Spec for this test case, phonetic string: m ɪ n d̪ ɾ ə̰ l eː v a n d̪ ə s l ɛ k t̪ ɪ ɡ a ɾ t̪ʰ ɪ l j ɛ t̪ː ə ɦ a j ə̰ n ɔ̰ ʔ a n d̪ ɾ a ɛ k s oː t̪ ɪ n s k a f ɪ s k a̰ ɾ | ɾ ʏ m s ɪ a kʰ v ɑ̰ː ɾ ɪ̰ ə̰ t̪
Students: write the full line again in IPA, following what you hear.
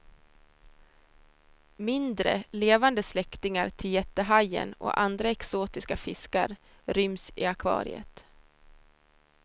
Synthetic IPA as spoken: m ɪ n d̪ ɾ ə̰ l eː v a n d̪ ə s l ɛ k t̪ ɪ ŋ a ɾ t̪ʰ ɪ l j ɛ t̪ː ə ɦ a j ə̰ n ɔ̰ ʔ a n d̪ ɾ a ɛ k s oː t̪ ɪ s k a f ɪ s k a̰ ɾ | ɾ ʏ m s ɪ a kʰ v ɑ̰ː ɾ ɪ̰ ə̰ t̪